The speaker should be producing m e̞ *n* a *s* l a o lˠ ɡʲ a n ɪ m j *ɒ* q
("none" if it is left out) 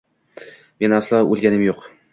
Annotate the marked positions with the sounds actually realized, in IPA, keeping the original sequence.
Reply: n, s, o

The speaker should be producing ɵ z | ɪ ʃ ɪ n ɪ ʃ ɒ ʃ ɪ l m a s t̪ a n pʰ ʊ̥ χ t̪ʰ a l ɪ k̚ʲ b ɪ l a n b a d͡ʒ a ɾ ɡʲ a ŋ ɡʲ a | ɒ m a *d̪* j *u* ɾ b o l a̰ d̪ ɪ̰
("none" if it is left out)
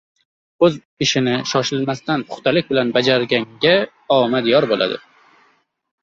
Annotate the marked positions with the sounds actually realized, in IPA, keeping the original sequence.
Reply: d̪, ɒ

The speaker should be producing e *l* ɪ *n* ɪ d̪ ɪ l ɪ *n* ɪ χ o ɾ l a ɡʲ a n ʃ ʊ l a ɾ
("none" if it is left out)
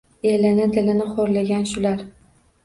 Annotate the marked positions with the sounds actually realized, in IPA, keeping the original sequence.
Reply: l, n, n

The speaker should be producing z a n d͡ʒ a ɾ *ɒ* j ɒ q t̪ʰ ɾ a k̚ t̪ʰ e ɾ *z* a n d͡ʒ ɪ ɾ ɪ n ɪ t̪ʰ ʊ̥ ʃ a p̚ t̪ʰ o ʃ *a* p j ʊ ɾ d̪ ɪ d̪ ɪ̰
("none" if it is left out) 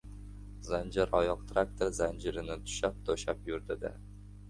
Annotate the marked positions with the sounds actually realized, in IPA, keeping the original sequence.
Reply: ɒ, z, a

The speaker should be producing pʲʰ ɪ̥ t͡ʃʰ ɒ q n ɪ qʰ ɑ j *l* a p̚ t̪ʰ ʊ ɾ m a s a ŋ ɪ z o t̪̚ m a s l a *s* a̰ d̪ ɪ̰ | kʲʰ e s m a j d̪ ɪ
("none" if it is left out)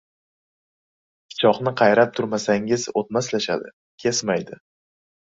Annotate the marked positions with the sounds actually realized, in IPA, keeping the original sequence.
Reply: ɾ, ʃ

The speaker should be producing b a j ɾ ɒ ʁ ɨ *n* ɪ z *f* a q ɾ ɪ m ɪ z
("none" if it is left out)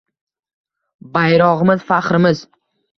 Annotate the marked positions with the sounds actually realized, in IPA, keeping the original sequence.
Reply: m, f

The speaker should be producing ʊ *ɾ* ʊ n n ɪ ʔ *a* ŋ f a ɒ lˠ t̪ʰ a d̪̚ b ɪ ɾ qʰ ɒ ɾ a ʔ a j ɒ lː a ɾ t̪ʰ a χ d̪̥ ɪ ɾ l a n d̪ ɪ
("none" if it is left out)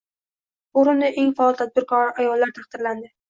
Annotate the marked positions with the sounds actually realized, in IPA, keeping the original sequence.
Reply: ɾ, e

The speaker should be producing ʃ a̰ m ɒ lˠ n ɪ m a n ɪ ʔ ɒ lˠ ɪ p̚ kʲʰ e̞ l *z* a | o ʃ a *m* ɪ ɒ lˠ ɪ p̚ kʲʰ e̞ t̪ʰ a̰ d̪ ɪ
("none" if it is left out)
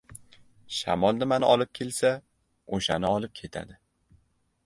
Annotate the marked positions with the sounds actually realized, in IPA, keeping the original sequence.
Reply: s, n

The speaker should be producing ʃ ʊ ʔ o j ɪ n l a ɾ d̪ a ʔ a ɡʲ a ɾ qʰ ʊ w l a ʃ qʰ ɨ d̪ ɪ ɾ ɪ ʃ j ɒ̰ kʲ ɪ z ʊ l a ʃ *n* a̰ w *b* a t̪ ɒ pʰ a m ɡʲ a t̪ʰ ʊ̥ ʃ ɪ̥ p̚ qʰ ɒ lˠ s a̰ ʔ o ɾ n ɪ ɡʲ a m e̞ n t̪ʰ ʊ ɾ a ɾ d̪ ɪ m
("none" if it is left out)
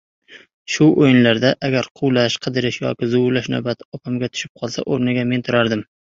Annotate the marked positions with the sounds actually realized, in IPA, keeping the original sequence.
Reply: n, b

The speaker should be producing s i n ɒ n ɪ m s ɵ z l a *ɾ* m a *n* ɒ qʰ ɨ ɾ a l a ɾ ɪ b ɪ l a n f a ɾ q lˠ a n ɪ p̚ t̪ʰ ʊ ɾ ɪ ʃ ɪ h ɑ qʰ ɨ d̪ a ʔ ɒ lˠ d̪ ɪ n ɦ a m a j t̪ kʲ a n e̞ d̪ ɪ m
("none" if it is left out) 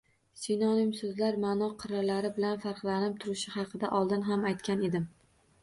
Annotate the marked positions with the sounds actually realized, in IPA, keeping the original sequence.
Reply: ɾ, n

